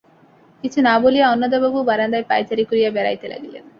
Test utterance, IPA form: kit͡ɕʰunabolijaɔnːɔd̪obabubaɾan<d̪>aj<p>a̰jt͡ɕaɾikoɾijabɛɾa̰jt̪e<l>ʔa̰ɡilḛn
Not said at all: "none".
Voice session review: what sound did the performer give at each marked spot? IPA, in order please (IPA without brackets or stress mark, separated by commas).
d̪, p, l